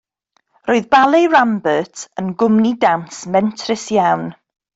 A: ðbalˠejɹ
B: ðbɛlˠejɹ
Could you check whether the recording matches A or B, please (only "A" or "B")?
A